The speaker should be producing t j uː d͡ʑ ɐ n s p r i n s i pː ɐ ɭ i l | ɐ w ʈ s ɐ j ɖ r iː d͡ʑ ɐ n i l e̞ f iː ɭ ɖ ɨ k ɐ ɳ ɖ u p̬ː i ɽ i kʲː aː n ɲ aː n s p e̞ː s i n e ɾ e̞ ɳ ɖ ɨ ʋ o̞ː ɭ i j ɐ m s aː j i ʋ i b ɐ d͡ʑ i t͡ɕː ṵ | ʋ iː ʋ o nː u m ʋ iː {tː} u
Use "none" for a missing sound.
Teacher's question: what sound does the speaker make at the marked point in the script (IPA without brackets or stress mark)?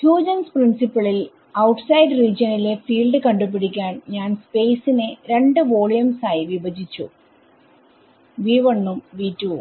tː